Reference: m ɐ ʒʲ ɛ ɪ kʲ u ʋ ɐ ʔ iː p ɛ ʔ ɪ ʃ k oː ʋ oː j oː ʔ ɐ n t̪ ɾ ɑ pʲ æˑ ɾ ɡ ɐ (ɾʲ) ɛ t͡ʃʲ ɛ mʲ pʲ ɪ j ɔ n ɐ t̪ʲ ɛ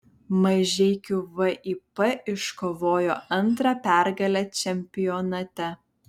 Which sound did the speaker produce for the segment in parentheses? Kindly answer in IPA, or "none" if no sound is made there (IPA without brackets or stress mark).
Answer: lʲ